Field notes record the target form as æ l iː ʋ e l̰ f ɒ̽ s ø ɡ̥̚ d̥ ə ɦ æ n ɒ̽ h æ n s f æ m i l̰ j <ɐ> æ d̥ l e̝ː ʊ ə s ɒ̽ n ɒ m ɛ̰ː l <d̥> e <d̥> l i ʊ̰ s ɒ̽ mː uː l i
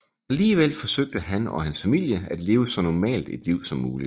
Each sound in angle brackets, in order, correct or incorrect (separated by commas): incorrect, correct, correct